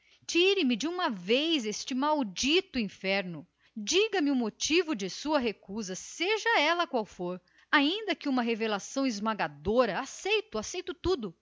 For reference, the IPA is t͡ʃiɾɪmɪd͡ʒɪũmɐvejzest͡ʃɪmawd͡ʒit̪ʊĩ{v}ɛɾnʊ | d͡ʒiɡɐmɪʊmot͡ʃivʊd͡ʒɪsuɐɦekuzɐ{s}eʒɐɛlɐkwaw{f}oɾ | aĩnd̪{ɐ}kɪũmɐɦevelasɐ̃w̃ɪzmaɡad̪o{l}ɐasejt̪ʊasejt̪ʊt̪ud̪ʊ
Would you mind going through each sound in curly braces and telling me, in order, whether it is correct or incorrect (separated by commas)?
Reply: incorrect, correct, correct, correct, incorrect